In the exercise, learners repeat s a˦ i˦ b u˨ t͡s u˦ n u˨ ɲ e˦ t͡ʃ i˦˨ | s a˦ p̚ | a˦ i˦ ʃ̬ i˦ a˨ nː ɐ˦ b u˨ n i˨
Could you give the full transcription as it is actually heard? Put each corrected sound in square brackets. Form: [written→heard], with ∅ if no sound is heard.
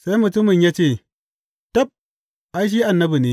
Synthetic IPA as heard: s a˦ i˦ [b→m] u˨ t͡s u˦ [n→m] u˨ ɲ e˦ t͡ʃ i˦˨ | [s→t] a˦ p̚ | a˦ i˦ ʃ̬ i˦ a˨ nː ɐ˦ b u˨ n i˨